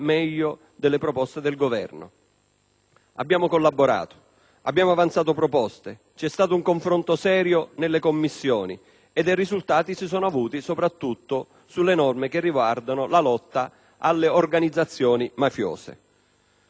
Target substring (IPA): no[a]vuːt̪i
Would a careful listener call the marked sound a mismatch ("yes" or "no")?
no